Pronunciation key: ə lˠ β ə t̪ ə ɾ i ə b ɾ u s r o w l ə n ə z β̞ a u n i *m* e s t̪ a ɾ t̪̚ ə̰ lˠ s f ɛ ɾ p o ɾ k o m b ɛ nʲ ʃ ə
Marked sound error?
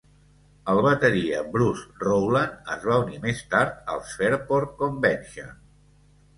no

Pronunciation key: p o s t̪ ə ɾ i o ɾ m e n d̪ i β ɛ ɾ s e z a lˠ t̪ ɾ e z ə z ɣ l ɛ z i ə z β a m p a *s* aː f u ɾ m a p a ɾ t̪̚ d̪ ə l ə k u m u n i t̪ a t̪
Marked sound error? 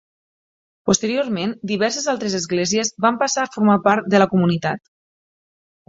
no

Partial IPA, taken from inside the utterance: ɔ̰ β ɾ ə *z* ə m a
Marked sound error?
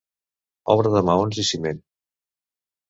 yes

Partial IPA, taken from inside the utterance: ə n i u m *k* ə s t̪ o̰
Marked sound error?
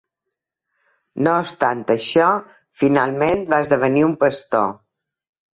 yes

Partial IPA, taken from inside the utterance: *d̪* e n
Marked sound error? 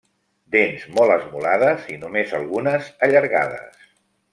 no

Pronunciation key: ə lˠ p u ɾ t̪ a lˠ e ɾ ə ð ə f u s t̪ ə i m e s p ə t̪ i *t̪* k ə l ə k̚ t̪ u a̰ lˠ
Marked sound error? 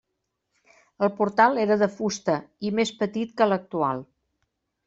no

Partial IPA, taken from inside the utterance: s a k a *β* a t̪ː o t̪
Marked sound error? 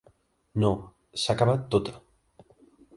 no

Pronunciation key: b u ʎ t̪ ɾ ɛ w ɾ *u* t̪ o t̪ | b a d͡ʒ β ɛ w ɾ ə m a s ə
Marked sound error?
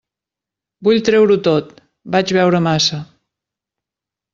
no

